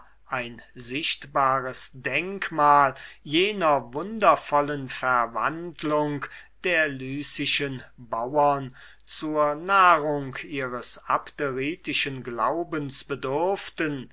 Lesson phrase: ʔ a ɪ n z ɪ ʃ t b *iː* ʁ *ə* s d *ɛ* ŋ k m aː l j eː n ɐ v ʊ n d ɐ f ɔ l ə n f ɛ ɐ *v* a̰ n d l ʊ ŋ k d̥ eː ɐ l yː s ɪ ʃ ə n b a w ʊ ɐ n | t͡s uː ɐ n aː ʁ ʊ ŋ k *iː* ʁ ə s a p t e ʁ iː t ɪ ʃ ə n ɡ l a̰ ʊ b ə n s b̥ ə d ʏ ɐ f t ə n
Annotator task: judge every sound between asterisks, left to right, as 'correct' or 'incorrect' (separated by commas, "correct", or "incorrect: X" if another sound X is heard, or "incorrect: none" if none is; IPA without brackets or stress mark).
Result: incorrect: aː, correct, correct, correct, correct